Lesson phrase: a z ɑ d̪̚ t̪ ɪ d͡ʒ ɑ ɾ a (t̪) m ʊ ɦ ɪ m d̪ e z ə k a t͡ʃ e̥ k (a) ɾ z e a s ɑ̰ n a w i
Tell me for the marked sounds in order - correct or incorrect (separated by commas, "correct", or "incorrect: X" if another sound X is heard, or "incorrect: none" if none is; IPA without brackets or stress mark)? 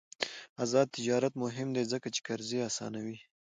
correct, correct